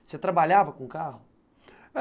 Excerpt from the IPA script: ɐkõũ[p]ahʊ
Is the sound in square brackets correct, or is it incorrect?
incorrect